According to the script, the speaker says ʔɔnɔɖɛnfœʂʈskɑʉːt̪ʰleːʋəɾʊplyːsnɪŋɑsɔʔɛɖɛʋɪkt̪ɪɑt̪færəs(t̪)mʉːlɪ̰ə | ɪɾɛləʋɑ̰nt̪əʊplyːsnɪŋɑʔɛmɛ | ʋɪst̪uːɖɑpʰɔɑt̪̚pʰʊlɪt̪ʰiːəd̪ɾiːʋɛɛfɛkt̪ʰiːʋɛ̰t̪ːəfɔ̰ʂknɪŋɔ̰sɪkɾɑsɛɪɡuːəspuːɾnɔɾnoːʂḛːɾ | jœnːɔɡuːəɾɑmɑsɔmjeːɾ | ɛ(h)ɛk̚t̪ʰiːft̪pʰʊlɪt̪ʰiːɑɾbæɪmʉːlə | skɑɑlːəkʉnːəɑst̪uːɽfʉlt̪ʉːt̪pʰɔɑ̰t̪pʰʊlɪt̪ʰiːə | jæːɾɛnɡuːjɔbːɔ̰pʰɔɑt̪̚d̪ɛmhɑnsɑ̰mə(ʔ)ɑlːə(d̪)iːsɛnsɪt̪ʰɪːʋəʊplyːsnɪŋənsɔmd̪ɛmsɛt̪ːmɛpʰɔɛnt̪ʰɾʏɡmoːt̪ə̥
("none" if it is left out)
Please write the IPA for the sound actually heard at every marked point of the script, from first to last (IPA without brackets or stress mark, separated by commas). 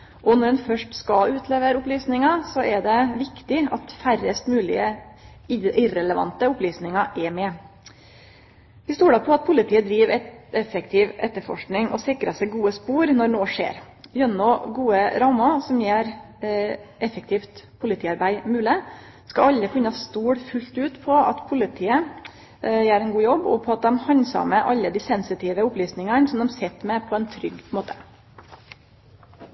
t̪, f, ʔ, d̪